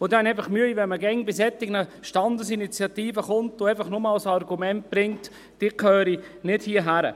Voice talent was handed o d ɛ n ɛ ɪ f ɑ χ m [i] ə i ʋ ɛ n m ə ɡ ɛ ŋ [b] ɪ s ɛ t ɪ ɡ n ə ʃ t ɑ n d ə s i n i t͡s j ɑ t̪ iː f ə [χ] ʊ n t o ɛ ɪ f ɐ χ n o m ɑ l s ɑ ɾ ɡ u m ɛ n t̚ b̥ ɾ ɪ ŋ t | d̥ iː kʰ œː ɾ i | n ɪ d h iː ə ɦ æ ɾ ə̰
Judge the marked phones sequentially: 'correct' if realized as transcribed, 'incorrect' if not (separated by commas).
incorrect, correct, correct